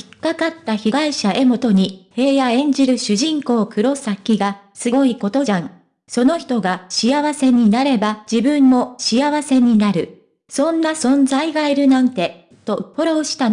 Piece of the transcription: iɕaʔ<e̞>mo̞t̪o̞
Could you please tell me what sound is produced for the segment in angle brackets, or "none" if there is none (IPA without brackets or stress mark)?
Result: e̞